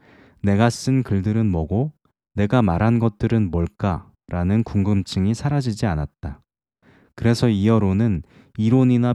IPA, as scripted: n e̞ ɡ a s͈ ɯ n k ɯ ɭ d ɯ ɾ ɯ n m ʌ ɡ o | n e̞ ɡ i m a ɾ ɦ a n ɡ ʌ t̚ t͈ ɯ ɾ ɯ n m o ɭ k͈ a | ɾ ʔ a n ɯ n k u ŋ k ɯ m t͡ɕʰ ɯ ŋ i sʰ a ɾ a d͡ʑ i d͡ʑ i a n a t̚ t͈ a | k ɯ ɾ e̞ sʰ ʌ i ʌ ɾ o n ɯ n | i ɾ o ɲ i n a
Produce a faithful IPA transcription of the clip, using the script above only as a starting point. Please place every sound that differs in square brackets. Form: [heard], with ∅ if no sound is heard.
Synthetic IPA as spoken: n e̞ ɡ a s͈ ɯ n k ɯ ɭ d ɯ ɾ ɯ n m ʌ ɡ o | n e̞ ɡ [a] m a ɾ ɦ a n ɡ ʌ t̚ t͈ ɯ ɾ ɯ n m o ɭ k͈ a | ɾ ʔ a n ɯ n k u ŋ [ɡ] ɯ m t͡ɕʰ ɯ ŋ i sʰ a ɾ a d͡ʑ i d͡ʑ i a n a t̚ t͈ a | k ɯ ɾ e̞ sʰ ʌ i ʌ ɾ o n ɯ n | i ɾ o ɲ i n a